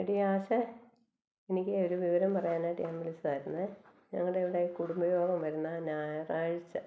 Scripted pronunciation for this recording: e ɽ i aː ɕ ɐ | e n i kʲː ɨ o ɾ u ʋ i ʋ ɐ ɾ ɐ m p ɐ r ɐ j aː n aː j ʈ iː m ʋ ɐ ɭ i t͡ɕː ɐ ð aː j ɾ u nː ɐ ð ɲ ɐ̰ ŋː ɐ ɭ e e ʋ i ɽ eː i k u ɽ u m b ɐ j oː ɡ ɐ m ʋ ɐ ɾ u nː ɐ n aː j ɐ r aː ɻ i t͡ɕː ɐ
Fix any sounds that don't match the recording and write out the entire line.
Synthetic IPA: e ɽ i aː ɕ ɐ | e n i kʲː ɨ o ɾ u ʋ i ʋ ɐ ɾ ɐ m p ɐ r ɐ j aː n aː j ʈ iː m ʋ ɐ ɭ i t͡ɕː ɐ ð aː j ɾ u nː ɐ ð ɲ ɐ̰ ŋː ɐ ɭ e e ʋ i ɽ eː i k u ɽ u m b ɐ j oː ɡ ɐ m ʋ ɐ ɾ u nː ɐ n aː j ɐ r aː ɻ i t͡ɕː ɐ